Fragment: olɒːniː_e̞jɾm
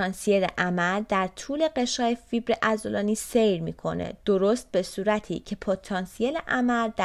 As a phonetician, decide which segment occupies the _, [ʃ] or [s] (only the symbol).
s